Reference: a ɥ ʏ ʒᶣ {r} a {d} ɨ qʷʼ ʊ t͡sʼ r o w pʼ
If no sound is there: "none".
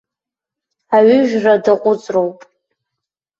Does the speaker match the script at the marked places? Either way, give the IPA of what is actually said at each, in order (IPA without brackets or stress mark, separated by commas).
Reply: r, d